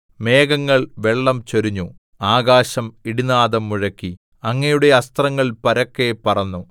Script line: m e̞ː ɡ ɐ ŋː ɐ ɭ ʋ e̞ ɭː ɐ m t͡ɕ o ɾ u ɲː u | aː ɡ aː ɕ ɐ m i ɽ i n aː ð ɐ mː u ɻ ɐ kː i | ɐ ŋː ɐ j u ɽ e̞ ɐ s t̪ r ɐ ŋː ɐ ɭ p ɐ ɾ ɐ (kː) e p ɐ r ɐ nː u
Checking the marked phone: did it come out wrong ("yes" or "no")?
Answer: no